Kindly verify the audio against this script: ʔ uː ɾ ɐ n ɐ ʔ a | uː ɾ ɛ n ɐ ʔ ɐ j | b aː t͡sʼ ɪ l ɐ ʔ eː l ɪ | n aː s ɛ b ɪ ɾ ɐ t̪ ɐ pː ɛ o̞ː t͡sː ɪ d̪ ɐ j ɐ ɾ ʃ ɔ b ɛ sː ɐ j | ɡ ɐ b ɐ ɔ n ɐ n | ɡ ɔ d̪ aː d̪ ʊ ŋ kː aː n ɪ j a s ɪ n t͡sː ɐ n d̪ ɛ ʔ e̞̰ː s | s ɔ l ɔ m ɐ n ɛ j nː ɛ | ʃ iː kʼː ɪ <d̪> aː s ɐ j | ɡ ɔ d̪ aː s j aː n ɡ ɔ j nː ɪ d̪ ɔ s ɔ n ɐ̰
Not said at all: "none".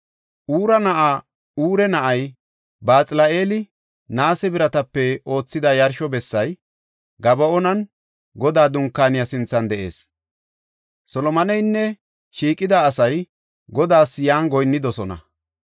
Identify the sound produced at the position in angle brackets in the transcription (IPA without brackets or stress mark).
d̪